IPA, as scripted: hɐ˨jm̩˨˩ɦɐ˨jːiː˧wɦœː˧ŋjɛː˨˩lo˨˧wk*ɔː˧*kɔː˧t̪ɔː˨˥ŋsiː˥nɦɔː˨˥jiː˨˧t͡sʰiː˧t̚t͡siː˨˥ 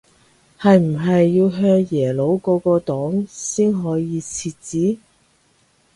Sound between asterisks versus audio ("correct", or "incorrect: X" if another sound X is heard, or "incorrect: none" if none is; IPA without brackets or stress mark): correct